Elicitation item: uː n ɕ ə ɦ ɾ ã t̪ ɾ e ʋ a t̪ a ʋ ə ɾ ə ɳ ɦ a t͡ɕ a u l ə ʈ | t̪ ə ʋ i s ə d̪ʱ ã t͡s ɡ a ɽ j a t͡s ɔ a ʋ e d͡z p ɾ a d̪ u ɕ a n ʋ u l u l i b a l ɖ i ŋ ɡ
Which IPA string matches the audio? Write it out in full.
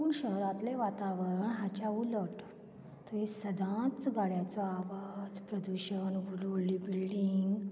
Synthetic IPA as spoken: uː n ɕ ə ɦ ɾ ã t̪ l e ʋ a t̪ a ʋ ə ɾ ə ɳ ɦ a t͡ɕ a u l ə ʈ | t̪ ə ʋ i s ə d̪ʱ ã t͡s ɡ a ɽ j a t͡s ɔ a ʋ a d͡z p ɾ ə d̪ u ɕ ə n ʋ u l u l i b i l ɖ i ŋ ɡ